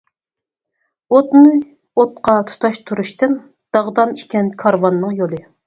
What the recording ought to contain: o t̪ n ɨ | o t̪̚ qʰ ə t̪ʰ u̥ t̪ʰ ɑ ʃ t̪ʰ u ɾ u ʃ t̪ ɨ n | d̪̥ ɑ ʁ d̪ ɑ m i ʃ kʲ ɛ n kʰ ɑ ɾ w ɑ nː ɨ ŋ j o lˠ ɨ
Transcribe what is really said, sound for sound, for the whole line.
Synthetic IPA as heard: o t̪ n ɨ | o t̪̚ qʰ ɑ t̪ʰ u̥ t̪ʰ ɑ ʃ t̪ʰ u ɾ u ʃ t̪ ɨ n | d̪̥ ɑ ʁ d̪ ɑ m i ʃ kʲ ɛ n kʰ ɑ ɾ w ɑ nː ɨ ŋ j o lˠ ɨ